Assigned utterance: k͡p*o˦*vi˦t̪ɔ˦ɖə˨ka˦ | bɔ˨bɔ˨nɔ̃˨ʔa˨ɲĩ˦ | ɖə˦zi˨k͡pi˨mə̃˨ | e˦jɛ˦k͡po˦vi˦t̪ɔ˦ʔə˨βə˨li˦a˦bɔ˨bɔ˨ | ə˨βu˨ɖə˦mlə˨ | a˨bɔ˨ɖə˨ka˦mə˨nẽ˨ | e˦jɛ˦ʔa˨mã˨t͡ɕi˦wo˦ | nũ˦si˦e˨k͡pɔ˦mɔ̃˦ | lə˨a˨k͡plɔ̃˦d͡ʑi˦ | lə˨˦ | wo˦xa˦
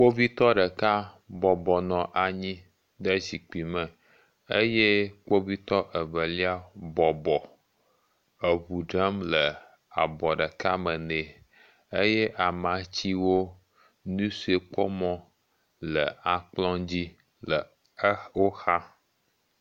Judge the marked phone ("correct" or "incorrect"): correct